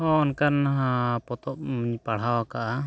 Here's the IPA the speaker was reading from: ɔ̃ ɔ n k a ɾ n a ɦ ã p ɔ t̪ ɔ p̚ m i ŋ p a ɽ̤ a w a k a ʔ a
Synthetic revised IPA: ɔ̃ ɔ n k a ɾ n a ɦ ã p ɔ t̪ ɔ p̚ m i ɲ p a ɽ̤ a w a k a ʔ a